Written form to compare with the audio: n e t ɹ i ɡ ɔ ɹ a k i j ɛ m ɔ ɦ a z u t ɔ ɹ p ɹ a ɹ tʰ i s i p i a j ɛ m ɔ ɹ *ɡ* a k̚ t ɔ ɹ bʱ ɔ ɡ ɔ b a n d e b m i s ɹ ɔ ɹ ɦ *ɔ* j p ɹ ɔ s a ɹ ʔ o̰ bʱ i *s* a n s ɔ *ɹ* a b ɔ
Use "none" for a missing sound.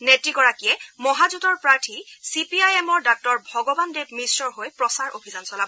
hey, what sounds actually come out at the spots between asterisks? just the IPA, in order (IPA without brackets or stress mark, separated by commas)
d, o, z, l